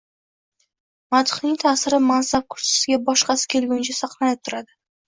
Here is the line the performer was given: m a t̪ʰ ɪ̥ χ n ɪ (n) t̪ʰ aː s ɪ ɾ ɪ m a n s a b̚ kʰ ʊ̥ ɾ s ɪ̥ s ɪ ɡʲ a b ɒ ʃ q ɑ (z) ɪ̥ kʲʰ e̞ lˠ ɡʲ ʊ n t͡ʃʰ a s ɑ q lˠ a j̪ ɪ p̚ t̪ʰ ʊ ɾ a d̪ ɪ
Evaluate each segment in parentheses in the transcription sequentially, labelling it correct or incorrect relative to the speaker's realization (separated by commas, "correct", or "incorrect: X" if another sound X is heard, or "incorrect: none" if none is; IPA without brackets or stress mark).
incorrect: ŋ, incorrect: s